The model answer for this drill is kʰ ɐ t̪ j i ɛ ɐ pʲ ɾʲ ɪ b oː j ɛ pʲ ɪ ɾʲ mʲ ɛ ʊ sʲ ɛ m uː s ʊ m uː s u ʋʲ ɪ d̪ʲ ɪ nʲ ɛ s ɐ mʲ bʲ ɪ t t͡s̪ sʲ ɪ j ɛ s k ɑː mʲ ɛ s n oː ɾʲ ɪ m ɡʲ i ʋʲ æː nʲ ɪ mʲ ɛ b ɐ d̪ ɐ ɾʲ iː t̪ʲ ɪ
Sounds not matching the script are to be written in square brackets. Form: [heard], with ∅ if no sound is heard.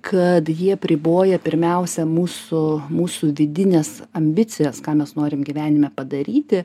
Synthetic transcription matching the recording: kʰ ɐ t̪ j i ɛ ɐ pʲ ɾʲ ɪ b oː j ɛ pʲ ɪ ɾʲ mʲ ɛ ʊ sʲ ɛ m uː s ʊ m uː s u ʋʲ ɪ d̪ʲ ɪ nʲ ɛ s ɐ mʲ bʲ ɪ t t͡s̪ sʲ ɪ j ɛ s k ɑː mʲ ɛ s n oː ɾʲ ɪ m ɡʲ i ʋʲ æː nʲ ɪ mʲ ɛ [p] ɐ d̪ ɐ ɾʲ iː t̪ʲ ɪ